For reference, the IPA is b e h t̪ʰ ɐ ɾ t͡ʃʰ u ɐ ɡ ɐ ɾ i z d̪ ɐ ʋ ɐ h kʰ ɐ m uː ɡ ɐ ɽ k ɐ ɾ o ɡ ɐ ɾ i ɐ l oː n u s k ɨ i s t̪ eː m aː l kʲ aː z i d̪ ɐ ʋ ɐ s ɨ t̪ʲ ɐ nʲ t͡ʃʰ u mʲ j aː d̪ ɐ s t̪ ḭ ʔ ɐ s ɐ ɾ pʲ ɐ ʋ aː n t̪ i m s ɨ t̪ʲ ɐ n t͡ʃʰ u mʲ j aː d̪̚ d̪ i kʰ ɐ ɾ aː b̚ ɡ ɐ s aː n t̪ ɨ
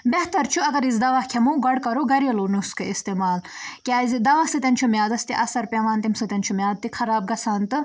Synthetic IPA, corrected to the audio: b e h t̪ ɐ ɾ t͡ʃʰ u ɐ ɡ ɐ ɾ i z d̪ ɐ ʋ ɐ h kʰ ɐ m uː ɡ ɐ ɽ k ɐ ɾ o ɡ ɐ ɾ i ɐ l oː n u s k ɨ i s t̪ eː m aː l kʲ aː z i d̪ ɐ ʋ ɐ s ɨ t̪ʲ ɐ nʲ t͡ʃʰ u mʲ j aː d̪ ɐ s t̪ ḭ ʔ ɐ s ɐ ɾ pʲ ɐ ʋ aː n t̪ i m s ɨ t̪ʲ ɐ n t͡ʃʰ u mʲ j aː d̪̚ t̪ i kʰ ɐ ɾ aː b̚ ɡ ɐ s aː n t̪ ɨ